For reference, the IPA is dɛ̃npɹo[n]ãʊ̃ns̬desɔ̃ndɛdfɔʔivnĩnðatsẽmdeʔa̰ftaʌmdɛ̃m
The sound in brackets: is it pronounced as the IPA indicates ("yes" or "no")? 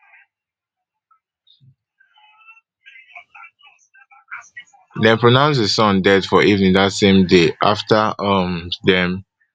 yes